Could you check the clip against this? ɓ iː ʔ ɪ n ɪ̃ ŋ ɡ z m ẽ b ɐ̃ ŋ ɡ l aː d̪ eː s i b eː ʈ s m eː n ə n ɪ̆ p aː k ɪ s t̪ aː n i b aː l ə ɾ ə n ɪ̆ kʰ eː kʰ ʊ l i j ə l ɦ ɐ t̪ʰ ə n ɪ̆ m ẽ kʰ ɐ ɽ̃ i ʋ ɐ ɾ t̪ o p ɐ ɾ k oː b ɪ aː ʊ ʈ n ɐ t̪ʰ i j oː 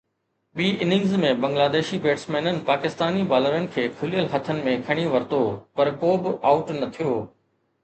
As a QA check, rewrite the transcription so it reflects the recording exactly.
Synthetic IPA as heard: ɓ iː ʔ ɪ n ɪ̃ ŋ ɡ z m ẽ b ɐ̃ ŋ ɡ l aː d̪ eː ʃ i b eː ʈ s m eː n ə n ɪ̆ p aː k ɪ s t̪ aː n i b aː l ə ɾ ə n ɪ̆ kʰ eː kʰ ʊ l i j ə l ɦ ɐ t̪ʰ ə n ɪ̆ m ẽ kʰ ɐ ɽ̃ i ʋ ɐ ɾ t̪ o p ɐ ɾ k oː b ɪ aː ʊ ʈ n ɐ t̪ʰ i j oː